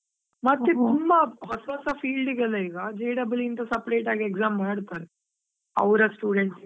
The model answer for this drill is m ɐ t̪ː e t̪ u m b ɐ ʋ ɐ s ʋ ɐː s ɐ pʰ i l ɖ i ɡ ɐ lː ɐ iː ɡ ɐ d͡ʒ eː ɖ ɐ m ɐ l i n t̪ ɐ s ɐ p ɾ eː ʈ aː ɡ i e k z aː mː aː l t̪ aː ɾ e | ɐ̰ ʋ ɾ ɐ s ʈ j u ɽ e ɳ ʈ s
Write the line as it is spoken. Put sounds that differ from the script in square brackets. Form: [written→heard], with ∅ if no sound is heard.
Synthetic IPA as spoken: m ɐ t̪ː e t̪ u m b ɐ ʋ ɐ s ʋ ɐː s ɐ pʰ [i→iː] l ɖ i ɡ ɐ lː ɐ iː ɡ ɐ d͡ʒ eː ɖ ɐ [m→b] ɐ l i n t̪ ɐ s ɐ p ɾ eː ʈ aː ɡ i e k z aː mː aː [l→ɽ] t̪ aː ɾ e | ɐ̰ ʋ ɾ ɐ s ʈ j [u→uː] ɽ e ɳ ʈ s